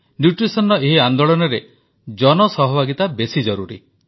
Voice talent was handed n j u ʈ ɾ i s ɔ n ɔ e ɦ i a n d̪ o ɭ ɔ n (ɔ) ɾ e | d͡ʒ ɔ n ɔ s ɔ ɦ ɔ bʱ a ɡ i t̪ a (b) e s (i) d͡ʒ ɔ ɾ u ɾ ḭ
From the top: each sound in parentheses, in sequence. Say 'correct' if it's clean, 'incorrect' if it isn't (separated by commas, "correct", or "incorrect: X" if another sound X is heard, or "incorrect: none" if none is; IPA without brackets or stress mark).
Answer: correct, correct, correct